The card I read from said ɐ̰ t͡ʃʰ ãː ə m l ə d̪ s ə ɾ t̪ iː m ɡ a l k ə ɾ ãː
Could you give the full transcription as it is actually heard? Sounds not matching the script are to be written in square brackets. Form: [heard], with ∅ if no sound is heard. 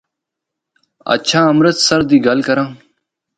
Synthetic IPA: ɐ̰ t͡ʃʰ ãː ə m [ɾ] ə [t̪] s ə ɾ [d̪] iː [∅] ɡ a l k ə ɾ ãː